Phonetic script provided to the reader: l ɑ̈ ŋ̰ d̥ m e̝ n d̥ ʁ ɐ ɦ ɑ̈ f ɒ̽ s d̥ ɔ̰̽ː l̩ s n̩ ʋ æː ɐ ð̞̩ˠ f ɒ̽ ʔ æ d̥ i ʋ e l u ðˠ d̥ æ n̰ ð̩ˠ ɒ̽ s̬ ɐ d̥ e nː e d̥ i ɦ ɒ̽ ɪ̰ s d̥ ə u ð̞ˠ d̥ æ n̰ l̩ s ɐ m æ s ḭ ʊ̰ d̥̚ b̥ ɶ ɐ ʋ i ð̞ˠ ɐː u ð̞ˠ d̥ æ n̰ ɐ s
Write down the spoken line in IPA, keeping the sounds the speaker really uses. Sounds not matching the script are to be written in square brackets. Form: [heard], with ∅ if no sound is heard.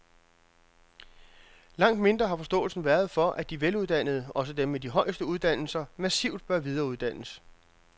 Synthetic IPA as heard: l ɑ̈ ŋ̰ d̥ m e̝ n d̥ ʁ ɐ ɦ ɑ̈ f ɒ̽ s d̥ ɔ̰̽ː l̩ s n̩ ʋ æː ɐ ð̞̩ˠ f ɒ̽ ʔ æ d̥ i ʋ e l u ðˠ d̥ æ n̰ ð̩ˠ ɒ̽ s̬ [ə] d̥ e [mː] e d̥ i ɦ ɒ̽ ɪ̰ s d̥ ə u ð̞ˠ d̥ æ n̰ l̩ s ɐ m æ s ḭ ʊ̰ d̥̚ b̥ ɶ ɐ ʋ i ð̞ˠ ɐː u ð̞ˠ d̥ æ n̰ [ə] s

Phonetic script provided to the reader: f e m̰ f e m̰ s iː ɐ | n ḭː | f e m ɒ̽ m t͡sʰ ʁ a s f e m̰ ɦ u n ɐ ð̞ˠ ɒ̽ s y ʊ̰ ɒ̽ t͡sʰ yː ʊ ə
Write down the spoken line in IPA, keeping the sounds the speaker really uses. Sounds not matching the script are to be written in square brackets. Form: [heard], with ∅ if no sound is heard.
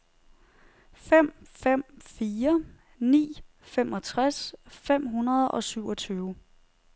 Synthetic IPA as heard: f e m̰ f e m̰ [f] iː ɐ | n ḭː | f e m ɒ̽ [∅] t͡sʰ ʁ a s f e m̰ ɦ u n ɐ ð̞ˠ ɒ̽ s y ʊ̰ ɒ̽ t͡sʰ yː ʊ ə

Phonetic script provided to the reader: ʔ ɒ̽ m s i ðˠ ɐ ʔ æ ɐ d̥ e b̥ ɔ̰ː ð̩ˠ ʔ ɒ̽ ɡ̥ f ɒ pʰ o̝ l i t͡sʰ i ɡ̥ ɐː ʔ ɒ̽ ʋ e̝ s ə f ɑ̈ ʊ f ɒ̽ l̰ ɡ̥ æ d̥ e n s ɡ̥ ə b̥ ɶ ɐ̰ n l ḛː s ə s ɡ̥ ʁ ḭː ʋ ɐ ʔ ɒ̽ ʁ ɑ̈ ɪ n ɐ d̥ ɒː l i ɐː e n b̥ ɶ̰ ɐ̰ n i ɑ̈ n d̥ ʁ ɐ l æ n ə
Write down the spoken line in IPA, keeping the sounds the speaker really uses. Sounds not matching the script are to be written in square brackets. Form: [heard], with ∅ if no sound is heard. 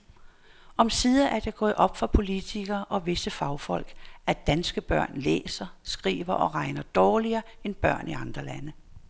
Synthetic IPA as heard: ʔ ɒ̽ m s i ðˠ ɐ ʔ æ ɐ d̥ e [ɡ̥] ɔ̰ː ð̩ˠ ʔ ɒ̽ [b̥] f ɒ pʰ o̝ l i t͡sʰ i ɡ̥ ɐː ʔ ɒ̽ ʋ e̝ s ə f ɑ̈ ʊ f ɒ̽ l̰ ɡ̥ æ d̥ [æ] n s ɡ̥ ə b̥ ɶ ɐ̰ n l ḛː s [ɐ] s ɡ̥ ʁ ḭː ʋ ɐ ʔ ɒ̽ ʁ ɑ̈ ɪ n ɐ d̥ ɒː l i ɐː e n b̥ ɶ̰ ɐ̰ n i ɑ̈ n d̥ ʁ ɐ l æ n ə

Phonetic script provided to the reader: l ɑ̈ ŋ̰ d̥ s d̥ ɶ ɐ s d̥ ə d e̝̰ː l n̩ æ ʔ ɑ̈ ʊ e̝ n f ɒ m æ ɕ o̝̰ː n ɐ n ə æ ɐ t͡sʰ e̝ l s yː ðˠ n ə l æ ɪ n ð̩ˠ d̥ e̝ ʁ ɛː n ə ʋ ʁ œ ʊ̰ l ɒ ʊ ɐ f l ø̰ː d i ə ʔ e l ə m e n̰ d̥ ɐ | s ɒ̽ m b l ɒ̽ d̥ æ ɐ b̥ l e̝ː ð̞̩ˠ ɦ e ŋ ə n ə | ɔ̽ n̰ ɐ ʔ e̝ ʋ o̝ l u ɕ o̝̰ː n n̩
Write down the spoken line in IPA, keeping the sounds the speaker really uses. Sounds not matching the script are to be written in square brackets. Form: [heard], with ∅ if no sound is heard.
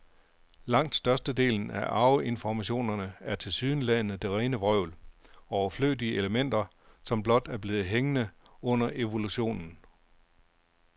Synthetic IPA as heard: l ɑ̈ ŋ̰ d̥ s d̥ ɶ ɐ s d̥ ə d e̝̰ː l n̩ æ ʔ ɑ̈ ʊ e̝ n f ɒ m æ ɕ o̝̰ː n ɐ n ə æ ɐ t͡sʰ e̝ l s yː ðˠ n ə l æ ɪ n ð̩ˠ d̥ e̝ ʁ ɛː n ə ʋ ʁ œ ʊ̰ l ɒ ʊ ɐ f l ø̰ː d i ə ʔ e l ə m e n̰ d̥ ɐ | s ɒ̽ m b l ɒ̽ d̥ æ ɐ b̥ l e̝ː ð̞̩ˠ ɦ e ŋ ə n ə | ɔ̽ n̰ ɐ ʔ e̝ ʋ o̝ l u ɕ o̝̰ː n n̩

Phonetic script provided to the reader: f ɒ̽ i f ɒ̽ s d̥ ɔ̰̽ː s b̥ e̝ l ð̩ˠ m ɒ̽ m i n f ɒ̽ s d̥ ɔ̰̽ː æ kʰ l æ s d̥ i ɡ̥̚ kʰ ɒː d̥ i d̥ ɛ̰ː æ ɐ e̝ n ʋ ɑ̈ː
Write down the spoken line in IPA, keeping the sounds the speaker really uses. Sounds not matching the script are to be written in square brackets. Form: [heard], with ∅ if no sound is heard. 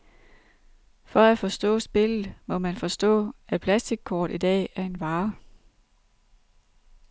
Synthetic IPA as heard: f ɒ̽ [æ] f ɒ̽ s d̥ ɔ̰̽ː s b̥ e̝ l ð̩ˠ m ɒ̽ m [æ] n f ɒ̽ s d̥ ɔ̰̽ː æ [pʰ] l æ s d̥ i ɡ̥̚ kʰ ɒː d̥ i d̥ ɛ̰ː æ ɐ e̝ n ʋ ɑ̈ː

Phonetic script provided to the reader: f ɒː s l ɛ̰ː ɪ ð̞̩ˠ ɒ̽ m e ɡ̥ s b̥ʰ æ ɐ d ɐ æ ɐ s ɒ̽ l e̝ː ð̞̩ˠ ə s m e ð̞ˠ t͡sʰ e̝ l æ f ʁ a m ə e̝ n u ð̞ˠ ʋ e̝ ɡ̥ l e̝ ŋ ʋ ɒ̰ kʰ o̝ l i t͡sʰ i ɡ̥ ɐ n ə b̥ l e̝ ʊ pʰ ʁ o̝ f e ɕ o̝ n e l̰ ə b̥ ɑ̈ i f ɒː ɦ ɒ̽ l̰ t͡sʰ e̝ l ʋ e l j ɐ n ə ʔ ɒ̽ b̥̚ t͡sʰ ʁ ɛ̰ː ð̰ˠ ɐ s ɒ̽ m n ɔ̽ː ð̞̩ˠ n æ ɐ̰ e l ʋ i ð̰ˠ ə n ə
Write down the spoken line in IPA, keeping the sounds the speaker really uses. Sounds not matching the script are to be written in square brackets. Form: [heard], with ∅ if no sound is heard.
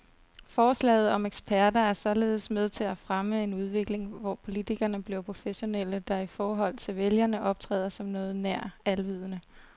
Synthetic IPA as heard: f ɒː s l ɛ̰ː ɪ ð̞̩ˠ ɒ̽ m e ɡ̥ s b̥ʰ æ ɐ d ɐ æ ɐ s ɒ̽ l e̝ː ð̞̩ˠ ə s m e ð̞ˠ t͡sʰ e̝ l æ f ʁ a m ə e̝ n u ð̞ˠ ʋ e̝ ɡ̥ l e̝ ŋ ʋ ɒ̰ [pʰ] o̝ l i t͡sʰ i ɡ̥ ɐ n ə b̥ l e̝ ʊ pʰ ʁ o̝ f e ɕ o̝ n e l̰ ə [d̥] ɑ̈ i f ɒː ɦ ɒ̽ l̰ t͡sʰ e̝ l ʋ e l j ɐ n ə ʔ ɒ̽ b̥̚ t͡sʰ ʁ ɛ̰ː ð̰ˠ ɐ s ɒ̽ m n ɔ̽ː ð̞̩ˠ n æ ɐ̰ [æ] l ʋ i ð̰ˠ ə n ə

